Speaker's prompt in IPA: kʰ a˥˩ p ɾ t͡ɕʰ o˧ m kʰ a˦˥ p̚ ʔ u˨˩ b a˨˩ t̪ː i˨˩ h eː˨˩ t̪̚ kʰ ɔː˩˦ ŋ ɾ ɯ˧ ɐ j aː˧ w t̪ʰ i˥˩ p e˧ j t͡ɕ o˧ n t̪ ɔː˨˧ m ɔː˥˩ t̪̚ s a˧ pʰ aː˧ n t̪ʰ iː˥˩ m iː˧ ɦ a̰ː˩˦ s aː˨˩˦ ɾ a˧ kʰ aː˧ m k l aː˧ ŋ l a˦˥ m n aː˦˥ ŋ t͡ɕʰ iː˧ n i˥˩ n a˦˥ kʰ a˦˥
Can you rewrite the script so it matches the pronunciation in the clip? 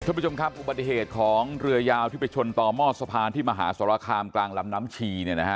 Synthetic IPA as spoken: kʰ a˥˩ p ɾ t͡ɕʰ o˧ m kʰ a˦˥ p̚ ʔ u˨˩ b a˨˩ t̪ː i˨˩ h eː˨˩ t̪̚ kʰ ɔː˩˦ ŋ ɾ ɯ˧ ɐ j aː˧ w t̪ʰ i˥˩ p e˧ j t͡ɕʰ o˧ n t̪ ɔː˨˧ m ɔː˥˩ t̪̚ s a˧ pʰ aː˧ n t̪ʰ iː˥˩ m aː˧ ɦ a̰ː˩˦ s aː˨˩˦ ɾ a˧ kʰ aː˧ m k l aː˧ ŋ l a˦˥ m n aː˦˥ m t͡ɕʰ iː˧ n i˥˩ n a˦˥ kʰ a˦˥